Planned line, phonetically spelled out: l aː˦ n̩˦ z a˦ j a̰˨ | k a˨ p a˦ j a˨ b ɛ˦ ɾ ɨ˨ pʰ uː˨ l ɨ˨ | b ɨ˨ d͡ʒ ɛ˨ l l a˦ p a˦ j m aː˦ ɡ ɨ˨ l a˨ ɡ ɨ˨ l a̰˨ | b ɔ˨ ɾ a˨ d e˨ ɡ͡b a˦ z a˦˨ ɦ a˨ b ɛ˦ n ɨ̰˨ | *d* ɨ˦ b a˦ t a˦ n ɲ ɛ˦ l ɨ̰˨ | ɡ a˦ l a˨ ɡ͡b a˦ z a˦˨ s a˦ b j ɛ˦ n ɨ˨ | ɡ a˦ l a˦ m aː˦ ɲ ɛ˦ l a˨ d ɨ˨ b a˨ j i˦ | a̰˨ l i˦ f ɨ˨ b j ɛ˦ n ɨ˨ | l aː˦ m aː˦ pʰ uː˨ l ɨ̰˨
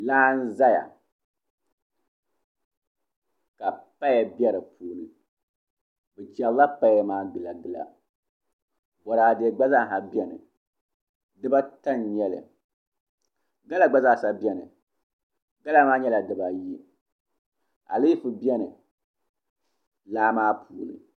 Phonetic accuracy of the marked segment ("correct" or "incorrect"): correct